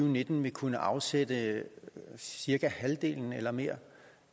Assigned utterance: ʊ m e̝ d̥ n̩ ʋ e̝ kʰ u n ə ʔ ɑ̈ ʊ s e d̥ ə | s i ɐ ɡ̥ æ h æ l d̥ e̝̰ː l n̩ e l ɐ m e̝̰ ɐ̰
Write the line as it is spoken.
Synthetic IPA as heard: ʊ n e̝ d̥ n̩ ʋ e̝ kʰ u n ə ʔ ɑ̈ ʊ s e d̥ ə | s i ɐ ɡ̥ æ h æ l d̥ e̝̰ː l n̩ e l ɐ m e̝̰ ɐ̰